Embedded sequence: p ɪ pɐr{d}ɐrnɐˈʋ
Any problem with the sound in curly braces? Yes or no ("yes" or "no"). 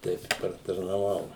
yes